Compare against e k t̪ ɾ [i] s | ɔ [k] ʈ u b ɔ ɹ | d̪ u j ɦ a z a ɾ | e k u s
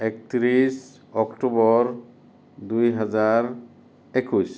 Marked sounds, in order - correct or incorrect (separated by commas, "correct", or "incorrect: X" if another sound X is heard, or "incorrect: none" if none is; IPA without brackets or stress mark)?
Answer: correct, correct